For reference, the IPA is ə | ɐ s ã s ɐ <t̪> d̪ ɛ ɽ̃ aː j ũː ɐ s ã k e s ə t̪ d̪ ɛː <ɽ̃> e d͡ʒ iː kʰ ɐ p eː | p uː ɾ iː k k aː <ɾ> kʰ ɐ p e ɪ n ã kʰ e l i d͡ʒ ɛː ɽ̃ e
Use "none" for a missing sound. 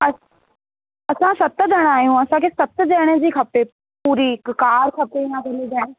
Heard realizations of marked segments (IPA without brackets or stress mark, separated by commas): t̪, ɽ̃, ɾ